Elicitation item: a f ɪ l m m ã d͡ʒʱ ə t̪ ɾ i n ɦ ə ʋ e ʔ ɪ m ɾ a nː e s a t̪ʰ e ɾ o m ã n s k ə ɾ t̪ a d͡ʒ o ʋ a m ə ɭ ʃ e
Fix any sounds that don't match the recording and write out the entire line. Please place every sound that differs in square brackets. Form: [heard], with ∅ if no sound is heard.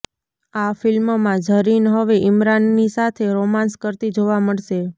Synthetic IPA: a f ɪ l m m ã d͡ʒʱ ə [∅] ɾ i n ɦ ə ʋ e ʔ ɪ m ɾ a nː [i] s a t̪ʰ e ɾ o m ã n s k ə ɾ t̪ [i] d͡ʒ o ʋ a m ə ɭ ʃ e